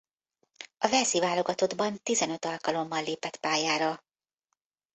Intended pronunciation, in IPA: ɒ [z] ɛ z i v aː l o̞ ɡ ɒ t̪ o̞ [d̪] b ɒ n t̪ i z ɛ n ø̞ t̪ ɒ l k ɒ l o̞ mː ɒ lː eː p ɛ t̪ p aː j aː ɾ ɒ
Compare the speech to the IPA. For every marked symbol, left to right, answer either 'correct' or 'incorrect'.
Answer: incorrect, correct

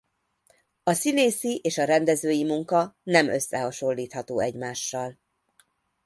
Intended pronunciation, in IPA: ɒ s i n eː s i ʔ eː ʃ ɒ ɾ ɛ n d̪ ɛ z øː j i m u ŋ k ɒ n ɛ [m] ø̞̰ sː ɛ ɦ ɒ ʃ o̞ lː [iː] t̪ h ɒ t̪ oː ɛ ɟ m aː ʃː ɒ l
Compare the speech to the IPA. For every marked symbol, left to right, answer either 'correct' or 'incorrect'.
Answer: correct, correct

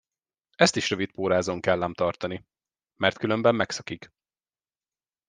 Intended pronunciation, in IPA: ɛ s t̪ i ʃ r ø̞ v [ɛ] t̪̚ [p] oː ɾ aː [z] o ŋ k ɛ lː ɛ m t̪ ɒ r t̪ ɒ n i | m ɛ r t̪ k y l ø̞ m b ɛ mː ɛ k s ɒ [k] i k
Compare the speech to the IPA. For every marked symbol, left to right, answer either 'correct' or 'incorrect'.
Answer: incorrect, correct, correct, correct

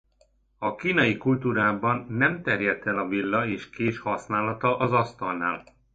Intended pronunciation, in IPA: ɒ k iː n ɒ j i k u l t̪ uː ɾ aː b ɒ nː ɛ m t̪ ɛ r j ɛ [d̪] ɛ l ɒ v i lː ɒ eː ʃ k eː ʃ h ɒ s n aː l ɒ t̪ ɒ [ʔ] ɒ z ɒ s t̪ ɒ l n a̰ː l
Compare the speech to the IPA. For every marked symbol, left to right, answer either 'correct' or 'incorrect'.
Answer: incorrect, correct

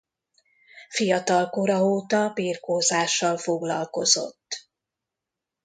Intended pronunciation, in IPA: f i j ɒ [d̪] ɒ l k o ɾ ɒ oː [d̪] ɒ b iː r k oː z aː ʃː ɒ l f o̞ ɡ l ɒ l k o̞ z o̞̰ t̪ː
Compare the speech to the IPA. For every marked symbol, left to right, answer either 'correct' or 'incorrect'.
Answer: incorrect, incorrect

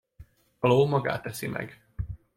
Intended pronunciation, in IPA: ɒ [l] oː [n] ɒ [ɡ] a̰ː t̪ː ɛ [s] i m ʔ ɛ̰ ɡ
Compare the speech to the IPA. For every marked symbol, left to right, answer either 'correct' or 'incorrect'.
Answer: correct, incorrect, correct, correct

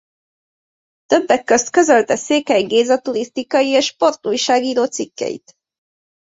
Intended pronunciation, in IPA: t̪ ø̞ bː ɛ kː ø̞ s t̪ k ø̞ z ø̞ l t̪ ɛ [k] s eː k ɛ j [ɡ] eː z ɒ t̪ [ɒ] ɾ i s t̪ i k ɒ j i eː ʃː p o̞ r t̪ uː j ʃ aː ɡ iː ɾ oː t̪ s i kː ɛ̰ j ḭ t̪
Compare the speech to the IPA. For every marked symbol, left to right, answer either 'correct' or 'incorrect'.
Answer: incorrect, correct, incorrect

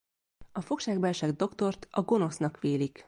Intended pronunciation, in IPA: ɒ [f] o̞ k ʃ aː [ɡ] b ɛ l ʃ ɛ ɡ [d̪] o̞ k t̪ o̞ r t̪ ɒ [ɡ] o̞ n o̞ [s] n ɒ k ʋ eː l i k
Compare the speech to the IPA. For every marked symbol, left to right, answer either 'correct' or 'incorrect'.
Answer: correct, correct, correct, correct, correct

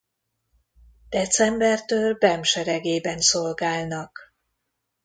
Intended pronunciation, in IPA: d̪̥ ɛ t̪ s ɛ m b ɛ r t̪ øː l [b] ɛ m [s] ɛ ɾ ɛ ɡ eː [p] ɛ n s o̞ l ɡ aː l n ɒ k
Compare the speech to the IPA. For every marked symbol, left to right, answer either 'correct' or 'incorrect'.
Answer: correct, incorrect, incorrect

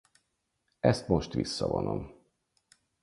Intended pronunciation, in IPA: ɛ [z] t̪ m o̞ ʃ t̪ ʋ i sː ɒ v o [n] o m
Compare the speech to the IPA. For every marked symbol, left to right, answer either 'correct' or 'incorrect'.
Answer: incorrect, correct

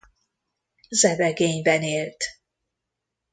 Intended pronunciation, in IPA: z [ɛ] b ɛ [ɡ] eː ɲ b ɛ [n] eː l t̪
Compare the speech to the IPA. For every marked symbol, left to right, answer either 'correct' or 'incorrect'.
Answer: correct, correct, correct

